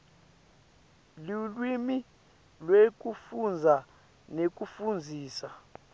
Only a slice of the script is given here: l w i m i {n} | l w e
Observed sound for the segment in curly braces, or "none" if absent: none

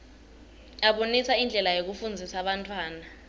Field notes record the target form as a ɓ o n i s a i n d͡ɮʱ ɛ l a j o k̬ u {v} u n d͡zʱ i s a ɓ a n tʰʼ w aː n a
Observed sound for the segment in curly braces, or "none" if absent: f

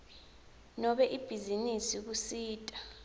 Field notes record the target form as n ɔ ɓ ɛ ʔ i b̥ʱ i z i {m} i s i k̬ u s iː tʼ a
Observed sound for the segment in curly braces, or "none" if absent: n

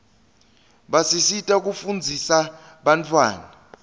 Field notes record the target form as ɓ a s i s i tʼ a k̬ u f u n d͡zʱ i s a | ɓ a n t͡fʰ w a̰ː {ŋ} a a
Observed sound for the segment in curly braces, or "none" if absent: n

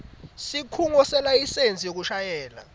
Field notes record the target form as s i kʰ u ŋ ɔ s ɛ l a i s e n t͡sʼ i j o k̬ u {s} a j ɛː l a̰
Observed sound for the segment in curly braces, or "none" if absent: ʃ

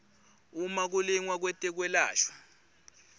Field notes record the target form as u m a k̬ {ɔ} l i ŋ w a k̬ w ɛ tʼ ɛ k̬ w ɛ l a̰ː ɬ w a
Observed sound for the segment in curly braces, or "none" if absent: u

